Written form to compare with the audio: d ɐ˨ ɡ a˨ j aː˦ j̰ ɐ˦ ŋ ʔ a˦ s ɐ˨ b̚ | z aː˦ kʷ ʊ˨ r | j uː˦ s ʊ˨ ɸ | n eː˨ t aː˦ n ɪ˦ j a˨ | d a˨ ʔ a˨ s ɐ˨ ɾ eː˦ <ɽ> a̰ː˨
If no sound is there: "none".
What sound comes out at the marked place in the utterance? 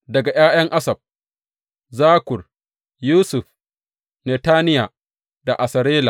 l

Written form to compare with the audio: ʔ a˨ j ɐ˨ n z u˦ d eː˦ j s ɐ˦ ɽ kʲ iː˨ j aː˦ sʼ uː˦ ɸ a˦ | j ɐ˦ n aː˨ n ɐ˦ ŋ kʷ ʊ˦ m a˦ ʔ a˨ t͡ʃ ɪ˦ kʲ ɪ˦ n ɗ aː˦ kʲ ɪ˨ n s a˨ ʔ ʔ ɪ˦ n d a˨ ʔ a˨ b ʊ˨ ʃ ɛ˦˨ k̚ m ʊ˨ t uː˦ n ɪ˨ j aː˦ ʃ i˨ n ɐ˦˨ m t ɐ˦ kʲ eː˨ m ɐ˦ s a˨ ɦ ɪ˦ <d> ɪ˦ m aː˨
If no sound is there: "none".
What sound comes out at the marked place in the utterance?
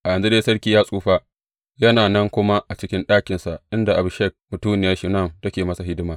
d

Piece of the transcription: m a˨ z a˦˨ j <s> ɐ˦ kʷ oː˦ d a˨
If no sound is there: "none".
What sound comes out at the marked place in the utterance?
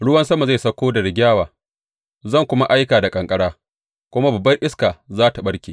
s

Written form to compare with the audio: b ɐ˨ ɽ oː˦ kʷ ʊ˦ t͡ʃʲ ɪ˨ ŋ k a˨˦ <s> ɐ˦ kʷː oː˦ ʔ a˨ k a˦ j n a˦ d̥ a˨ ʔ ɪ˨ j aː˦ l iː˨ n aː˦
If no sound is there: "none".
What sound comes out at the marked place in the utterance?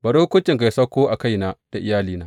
s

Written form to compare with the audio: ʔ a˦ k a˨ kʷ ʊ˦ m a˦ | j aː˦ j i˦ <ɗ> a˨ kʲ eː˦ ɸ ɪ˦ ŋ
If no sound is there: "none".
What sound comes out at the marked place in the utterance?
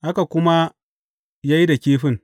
d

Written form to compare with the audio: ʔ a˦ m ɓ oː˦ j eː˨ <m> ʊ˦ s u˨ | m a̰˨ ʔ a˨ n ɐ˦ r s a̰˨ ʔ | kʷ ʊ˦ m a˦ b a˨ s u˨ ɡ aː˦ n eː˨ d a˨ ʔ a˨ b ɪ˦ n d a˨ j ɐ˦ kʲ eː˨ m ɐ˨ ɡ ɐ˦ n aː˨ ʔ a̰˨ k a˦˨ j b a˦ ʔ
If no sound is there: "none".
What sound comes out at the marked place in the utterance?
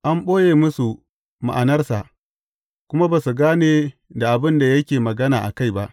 m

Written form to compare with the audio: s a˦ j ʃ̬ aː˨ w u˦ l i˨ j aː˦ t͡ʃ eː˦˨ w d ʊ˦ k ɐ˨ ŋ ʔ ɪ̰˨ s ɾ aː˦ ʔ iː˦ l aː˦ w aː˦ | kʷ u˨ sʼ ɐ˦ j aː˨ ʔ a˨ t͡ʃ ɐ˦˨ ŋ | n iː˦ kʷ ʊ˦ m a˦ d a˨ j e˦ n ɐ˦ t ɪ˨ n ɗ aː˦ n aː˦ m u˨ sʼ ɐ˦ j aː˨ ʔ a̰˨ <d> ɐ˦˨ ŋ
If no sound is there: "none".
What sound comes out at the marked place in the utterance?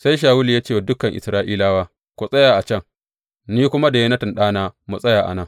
n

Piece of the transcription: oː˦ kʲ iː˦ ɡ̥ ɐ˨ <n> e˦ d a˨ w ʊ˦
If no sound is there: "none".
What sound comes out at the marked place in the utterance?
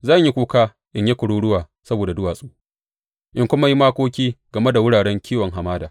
m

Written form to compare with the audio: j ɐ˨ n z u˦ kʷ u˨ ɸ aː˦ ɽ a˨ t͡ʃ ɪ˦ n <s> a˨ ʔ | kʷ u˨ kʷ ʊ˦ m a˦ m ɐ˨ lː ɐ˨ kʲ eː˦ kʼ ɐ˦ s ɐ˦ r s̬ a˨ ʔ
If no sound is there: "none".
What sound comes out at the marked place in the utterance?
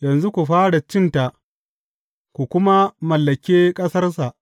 t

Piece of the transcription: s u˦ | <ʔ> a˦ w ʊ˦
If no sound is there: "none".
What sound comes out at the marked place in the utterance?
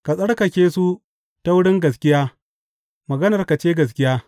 t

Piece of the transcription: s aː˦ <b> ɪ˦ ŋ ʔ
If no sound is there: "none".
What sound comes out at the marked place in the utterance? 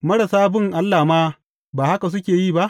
b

